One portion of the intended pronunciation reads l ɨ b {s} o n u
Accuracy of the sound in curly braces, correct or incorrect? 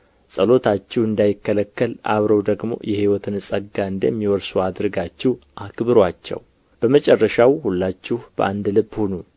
incorrect